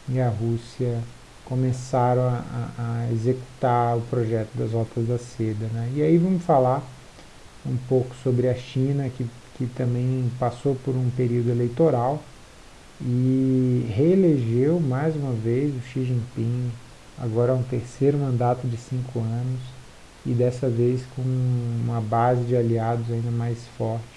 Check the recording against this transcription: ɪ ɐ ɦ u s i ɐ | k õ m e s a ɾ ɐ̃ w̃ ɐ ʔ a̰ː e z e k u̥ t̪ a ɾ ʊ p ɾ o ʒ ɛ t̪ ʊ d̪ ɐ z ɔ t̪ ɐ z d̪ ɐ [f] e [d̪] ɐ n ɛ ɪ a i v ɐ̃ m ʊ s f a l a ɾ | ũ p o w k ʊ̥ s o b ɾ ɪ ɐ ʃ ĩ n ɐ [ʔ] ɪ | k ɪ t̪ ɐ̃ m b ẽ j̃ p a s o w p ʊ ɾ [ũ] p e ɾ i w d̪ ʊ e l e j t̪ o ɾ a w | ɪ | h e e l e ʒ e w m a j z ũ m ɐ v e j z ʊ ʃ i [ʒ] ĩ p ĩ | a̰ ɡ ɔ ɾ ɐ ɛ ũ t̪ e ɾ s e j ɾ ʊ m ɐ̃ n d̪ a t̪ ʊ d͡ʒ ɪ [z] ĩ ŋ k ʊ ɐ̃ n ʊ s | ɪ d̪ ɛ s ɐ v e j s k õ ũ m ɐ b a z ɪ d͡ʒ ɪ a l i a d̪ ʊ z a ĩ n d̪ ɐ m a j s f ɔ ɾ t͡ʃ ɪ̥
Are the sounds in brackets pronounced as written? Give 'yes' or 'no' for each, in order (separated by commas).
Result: no, yes, no, yes, yes, no